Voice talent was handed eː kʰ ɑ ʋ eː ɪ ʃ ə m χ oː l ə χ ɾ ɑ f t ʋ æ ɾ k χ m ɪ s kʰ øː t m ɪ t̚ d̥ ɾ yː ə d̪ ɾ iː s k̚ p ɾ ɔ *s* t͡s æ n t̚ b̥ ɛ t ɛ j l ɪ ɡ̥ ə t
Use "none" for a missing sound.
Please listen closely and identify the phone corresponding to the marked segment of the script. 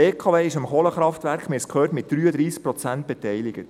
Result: none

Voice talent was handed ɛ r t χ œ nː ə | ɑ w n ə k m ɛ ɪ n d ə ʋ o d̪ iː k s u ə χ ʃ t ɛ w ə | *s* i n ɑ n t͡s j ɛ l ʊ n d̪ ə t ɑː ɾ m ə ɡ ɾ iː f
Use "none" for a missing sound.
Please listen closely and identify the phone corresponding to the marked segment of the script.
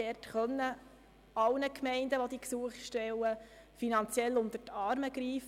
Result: f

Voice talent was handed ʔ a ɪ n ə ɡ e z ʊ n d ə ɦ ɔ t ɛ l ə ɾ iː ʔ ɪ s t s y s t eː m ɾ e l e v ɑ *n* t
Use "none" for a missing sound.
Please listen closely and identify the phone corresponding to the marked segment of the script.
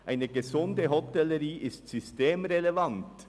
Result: n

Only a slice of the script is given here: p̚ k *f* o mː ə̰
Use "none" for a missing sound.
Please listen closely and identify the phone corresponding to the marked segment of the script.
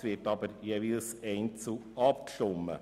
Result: ʃ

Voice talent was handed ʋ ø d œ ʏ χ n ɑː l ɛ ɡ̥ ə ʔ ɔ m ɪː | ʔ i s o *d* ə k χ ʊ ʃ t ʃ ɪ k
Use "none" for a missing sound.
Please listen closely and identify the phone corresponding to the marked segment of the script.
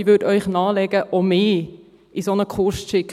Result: n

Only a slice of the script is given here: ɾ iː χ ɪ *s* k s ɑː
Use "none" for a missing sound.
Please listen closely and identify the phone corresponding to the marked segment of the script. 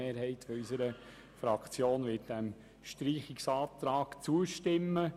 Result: none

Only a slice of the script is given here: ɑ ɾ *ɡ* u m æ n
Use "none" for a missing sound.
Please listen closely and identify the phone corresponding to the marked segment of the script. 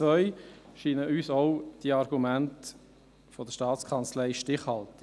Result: ɡ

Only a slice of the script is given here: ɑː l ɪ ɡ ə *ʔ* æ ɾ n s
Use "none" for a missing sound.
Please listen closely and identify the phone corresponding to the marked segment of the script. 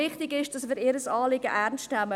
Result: ʔ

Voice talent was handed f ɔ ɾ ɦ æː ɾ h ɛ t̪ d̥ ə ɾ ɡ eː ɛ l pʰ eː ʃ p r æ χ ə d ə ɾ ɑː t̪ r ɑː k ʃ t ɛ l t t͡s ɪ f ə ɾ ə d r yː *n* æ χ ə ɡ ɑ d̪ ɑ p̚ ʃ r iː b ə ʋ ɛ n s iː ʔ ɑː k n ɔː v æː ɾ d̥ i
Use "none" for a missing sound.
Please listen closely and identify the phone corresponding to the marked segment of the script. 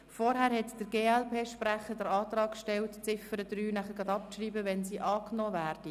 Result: n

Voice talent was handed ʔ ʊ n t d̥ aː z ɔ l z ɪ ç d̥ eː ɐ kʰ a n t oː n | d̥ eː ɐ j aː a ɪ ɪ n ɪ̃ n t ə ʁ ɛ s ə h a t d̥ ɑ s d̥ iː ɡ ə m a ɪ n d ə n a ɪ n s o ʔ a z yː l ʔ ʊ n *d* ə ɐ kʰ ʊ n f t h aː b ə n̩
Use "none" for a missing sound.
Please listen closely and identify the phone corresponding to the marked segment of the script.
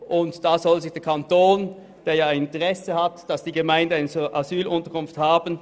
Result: t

